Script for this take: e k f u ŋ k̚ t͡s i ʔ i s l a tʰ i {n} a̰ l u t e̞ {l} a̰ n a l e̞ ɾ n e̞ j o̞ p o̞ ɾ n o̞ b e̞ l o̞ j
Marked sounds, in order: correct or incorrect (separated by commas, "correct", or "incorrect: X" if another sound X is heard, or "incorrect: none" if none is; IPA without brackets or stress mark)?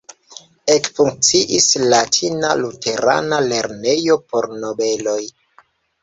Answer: correct, incorrect: ɾ